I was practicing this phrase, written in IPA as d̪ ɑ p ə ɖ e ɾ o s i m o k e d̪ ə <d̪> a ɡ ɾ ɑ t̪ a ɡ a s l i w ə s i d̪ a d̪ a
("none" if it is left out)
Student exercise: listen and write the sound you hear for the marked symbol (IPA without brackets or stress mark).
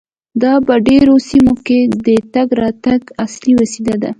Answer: t̪